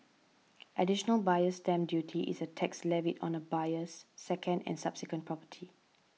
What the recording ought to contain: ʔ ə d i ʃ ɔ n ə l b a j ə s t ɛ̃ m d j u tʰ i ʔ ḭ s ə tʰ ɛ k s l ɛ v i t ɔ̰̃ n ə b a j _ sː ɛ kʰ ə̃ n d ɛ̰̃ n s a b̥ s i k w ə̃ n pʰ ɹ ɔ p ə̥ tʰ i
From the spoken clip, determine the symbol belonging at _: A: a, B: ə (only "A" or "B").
B